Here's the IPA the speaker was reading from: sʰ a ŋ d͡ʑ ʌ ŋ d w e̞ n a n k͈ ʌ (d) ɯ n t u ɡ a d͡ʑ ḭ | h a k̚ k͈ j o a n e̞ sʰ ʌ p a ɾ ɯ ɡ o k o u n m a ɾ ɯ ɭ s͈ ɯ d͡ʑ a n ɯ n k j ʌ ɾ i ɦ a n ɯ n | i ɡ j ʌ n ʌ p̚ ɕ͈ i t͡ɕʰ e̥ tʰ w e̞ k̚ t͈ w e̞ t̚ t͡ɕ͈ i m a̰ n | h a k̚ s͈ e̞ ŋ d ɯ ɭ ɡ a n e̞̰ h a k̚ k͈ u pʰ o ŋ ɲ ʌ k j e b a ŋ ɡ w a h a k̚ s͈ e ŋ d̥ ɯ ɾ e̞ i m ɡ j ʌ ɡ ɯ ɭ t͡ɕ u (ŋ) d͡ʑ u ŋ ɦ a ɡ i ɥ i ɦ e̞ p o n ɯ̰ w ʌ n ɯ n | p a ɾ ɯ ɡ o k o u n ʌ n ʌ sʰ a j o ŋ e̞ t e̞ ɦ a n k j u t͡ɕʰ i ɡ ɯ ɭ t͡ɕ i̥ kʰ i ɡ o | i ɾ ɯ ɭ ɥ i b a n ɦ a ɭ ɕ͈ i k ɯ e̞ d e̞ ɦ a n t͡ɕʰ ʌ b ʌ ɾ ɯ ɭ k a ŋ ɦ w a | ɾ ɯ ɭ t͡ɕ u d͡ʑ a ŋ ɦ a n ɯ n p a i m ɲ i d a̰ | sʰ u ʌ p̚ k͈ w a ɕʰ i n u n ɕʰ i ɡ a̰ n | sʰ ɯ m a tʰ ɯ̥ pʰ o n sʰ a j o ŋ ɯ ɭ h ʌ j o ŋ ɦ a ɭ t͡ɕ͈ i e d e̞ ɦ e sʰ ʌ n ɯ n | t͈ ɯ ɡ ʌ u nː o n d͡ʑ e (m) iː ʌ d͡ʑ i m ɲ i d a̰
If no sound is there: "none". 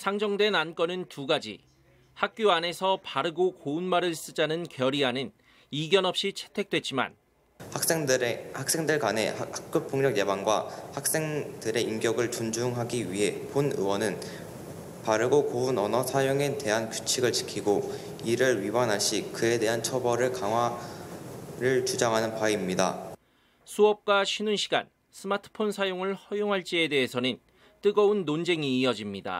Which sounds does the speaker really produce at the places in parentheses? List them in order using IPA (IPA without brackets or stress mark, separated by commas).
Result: n, n, ŋ